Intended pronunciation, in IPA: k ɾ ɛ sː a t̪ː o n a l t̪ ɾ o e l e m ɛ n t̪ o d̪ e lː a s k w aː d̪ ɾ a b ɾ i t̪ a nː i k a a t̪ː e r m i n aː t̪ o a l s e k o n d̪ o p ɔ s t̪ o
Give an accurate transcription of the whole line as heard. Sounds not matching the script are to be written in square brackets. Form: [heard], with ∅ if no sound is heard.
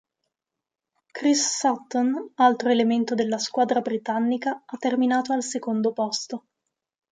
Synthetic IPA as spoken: k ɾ [i] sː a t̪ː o n a l t̪ ɾ o e l e m [e] n t̪ o d̪ e lː a s k w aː d̪ ɾ a b ɾ i t̪ a nː i k a a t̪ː e r m i n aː t̪ o a l s e k o n d̪ o p ɔ s t̪ o